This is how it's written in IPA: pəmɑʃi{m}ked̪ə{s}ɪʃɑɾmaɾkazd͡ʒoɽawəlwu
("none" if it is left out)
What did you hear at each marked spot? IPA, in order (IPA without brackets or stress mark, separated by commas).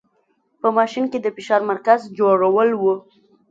n, f